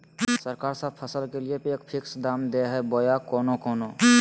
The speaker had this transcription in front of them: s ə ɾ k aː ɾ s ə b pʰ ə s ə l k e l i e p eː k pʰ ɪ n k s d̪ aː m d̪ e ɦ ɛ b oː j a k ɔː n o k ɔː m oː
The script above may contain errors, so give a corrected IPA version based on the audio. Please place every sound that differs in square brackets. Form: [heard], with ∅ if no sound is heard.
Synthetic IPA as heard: s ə ɾ k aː ɾ s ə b pʰ ə s ə l k e l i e p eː k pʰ ɪ [∅] k s d̪ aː m d̪ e ɦ ɛ b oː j a k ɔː n o k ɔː [n] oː